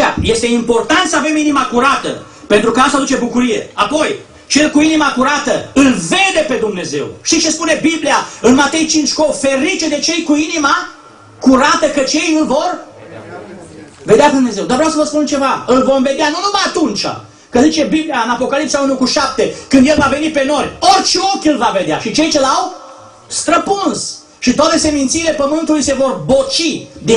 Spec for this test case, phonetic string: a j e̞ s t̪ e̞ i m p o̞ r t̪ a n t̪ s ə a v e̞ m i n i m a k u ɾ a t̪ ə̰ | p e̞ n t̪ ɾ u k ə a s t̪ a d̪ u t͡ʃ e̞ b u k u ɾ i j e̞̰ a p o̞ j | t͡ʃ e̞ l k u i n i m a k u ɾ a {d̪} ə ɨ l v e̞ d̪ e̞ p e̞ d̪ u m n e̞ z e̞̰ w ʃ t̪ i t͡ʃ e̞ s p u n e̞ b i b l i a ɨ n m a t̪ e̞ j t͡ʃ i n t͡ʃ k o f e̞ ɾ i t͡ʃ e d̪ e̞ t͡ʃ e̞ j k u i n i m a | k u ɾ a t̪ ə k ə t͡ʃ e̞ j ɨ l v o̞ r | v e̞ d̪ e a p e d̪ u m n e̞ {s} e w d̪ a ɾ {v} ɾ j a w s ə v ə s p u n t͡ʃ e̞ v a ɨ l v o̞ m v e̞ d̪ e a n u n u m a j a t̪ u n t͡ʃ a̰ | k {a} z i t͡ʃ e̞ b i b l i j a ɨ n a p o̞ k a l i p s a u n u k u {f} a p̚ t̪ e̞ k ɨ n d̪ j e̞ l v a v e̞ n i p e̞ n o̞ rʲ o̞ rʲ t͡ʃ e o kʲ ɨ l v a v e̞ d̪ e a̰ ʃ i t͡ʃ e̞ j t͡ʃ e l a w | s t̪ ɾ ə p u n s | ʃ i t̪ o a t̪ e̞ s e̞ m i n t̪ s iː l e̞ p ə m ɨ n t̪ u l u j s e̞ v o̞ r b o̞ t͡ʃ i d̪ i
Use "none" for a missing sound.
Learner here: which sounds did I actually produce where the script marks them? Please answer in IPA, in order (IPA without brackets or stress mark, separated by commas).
t̪, z, v, ə, ʃ